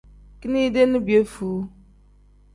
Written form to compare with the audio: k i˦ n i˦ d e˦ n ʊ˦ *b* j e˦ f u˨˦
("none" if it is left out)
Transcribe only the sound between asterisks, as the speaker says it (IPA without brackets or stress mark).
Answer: b